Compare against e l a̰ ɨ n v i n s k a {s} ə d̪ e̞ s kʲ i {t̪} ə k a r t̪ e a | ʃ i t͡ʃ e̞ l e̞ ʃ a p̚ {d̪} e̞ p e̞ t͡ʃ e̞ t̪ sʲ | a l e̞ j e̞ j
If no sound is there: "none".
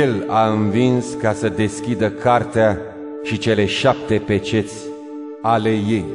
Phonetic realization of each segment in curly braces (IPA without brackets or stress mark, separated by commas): s, d̪, t̪